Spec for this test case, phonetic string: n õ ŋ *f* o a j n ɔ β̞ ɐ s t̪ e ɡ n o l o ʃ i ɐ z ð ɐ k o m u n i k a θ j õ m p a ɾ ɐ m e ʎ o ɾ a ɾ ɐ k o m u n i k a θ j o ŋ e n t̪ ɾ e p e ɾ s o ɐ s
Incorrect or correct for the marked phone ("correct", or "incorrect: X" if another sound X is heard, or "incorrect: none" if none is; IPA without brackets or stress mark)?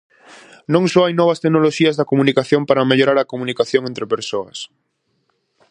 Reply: incorrect: s